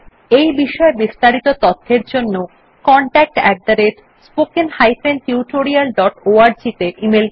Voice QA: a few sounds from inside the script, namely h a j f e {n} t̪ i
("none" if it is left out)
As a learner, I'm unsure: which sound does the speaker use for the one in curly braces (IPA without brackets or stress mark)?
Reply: n